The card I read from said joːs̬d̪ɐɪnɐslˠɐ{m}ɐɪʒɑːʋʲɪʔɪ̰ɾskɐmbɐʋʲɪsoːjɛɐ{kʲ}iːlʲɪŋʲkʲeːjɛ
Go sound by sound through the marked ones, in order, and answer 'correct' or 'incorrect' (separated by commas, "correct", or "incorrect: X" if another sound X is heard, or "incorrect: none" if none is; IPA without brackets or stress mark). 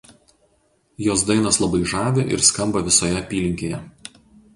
incorrect: b, incorrect: pʲ